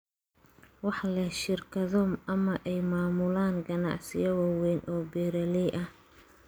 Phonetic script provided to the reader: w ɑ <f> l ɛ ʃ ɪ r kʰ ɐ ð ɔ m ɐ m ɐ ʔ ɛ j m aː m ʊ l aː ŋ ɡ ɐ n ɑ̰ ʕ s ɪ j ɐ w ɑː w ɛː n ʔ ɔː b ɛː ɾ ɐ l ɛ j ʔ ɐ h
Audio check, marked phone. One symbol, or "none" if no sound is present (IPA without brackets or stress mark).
ħ